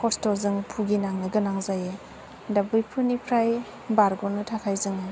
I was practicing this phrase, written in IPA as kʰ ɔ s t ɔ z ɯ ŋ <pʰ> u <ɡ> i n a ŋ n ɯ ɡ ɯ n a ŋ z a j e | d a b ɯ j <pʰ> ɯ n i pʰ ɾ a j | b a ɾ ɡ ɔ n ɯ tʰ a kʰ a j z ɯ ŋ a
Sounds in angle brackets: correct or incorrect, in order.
correct, correct, correct

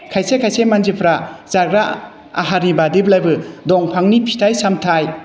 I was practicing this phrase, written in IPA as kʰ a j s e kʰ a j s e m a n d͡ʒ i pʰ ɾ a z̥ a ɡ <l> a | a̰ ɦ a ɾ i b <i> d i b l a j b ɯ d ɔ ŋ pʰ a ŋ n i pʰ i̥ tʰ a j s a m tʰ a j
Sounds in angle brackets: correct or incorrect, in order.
incorrect: ɾ, incorrect: a

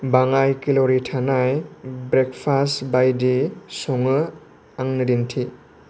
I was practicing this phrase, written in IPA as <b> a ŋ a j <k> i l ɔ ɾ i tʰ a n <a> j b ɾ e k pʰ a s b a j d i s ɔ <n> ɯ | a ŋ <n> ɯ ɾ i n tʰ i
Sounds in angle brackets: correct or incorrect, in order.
correct, correct, correct, incorrect: ŋ, correct

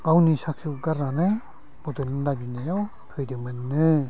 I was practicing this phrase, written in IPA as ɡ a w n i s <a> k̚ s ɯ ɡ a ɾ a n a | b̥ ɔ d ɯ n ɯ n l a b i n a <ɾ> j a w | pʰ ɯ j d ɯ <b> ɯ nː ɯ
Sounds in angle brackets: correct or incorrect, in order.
correct, incorrect: none, incorrect: m

